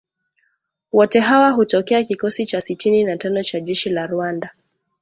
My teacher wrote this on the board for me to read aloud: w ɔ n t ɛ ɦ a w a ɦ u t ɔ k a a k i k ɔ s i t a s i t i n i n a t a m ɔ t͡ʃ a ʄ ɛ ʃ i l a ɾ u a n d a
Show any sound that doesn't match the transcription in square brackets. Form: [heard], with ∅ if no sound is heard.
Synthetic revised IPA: w ɔ [∅] t ɛ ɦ a w a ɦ u t ɔ k [ɛ] a k i k ɔ s i [t͡ʃ] a s i t i n i n a t a [n] ɔ t͡ʃ a ʄ ɛ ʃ i l a ɾ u a n d a